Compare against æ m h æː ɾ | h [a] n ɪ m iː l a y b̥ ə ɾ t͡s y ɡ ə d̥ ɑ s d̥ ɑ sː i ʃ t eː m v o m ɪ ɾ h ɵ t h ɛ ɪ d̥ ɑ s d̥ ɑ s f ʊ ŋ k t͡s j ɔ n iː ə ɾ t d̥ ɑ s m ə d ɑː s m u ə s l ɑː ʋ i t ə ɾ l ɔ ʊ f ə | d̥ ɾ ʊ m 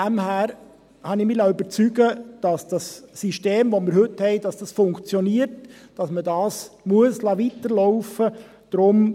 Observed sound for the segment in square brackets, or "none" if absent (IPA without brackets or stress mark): ɑ